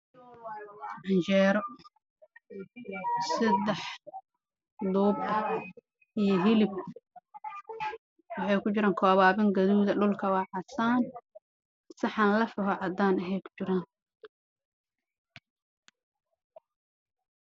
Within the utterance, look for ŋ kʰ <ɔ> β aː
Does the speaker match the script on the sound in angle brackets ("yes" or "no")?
no